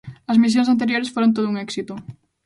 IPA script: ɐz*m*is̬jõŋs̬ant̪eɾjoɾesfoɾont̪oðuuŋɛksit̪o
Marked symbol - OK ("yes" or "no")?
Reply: yes